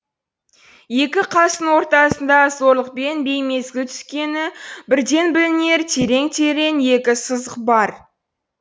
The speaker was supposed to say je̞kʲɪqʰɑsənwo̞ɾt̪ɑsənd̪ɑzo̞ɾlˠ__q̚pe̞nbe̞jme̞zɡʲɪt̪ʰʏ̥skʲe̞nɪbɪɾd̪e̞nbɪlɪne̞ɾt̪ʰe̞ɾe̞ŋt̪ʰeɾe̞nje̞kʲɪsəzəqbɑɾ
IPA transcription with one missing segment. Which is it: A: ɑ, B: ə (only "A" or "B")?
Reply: B